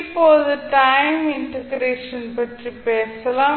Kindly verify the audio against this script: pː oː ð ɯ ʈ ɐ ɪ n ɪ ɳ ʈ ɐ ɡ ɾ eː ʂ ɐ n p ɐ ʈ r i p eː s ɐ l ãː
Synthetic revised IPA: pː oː ð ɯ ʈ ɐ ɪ m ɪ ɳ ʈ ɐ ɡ ɾ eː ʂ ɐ n p ɐ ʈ r i p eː s ɐ l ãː